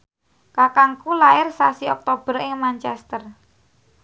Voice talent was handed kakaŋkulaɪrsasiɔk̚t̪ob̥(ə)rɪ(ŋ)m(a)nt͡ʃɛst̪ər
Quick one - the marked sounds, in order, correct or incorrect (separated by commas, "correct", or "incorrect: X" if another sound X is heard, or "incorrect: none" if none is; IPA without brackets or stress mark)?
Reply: correct, correct, correct